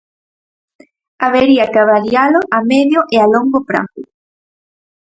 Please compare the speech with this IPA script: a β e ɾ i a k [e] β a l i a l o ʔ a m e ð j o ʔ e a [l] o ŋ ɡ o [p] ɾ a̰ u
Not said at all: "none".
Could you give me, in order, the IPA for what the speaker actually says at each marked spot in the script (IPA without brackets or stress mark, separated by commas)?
a, l, p